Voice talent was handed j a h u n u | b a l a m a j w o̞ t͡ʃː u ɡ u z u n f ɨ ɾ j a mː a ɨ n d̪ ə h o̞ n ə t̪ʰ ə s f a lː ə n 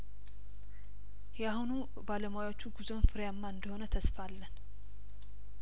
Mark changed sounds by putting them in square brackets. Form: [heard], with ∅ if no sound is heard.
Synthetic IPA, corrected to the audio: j a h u n u | b a l [ə] m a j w o̞ t͡ʃː u ɡ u z [o] n f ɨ ɾ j a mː a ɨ n d̪ ə h o̞ n ə t̪ʰ ə s f a lː ə n